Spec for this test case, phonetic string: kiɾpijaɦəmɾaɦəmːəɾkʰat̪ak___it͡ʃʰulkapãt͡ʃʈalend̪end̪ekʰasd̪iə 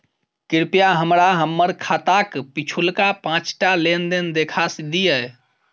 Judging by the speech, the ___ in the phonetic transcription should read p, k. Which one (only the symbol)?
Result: p